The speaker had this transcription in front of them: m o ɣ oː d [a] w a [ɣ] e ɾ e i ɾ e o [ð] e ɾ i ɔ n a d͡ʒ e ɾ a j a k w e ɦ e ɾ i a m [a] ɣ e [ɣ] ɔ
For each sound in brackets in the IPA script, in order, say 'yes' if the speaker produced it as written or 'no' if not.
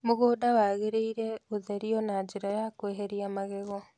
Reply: yes, yes, yes, yes, yes

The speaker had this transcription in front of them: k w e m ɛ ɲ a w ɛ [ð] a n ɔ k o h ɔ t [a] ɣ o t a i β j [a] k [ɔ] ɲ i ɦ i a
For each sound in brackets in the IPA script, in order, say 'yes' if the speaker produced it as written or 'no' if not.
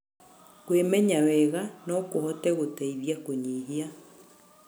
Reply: no, no, yes, no

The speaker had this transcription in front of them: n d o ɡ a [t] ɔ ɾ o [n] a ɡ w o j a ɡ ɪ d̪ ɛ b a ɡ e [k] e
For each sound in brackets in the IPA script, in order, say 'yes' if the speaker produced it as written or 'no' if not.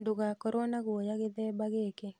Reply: no, yes, yes

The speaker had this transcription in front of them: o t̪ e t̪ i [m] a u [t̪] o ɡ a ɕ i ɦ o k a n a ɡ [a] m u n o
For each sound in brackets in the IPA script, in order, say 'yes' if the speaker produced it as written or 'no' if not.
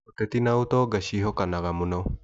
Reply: no, yes, yes

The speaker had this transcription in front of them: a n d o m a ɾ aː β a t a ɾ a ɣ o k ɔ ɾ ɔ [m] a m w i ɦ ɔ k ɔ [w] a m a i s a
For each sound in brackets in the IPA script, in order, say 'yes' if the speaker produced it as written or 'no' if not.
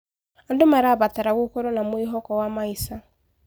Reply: no, yes

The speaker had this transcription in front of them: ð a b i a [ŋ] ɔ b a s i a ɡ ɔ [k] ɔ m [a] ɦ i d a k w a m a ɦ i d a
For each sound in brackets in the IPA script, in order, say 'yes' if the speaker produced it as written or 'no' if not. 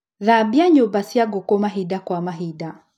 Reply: no, yes, yes

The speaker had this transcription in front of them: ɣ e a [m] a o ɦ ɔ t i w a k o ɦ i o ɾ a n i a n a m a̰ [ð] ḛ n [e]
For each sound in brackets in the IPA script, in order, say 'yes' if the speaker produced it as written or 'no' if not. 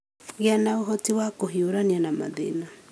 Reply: no, yes, no

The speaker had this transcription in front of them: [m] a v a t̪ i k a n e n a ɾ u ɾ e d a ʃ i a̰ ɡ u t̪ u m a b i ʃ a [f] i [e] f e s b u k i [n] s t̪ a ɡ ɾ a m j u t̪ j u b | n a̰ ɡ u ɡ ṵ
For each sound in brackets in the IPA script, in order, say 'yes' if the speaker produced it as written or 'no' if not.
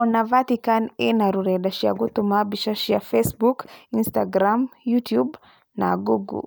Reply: no, no, no, yes

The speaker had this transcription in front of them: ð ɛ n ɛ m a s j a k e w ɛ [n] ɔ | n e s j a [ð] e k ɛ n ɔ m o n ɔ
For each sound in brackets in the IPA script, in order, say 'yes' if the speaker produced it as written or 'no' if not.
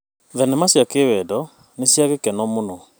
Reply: no, no

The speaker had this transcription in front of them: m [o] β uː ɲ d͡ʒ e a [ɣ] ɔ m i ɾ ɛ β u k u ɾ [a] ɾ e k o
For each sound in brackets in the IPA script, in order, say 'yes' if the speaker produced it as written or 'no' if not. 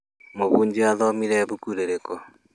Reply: yes, no, no

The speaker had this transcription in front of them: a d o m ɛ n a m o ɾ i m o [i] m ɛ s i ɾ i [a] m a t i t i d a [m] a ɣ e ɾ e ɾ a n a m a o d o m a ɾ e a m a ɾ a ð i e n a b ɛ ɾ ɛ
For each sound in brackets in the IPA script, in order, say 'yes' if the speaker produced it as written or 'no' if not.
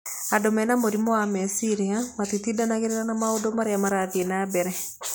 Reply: no, yes, no

